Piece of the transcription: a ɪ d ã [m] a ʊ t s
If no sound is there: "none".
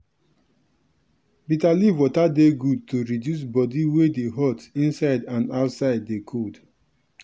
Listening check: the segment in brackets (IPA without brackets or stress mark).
n